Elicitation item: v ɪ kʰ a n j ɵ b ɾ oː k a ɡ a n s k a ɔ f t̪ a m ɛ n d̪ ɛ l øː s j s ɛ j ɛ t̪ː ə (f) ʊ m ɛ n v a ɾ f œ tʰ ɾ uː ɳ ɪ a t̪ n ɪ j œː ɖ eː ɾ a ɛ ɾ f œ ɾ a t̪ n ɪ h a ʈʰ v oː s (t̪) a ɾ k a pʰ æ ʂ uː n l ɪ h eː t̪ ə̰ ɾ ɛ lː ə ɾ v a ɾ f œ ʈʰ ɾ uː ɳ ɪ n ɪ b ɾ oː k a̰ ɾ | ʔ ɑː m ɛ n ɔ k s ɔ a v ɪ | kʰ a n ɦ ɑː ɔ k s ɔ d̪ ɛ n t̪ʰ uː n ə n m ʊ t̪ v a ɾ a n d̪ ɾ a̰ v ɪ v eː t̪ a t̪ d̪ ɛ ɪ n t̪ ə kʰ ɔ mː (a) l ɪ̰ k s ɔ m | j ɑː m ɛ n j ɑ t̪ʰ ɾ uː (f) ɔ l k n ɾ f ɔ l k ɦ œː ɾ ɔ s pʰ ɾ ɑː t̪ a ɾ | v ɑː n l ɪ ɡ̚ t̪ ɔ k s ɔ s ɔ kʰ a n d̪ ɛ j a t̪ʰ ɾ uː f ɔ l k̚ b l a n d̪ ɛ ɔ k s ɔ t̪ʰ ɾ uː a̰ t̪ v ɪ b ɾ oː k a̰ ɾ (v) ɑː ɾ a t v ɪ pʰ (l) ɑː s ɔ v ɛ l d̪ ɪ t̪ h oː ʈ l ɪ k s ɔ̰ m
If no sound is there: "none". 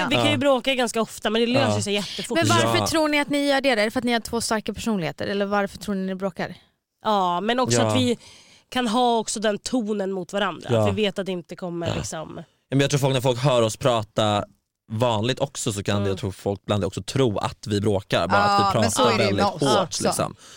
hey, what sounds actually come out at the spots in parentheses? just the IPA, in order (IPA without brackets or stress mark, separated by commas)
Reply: f, t̪, ə, f, b, ɾ